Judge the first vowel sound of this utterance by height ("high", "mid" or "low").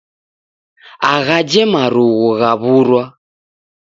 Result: low